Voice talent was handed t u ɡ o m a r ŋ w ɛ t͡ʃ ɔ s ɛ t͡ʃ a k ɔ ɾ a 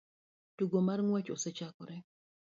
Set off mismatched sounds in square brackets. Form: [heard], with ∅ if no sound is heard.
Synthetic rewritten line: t u ɡ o m a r ŋ w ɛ t͡ʃ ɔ s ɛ t͡ʃ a k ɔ ɾ [ɛ]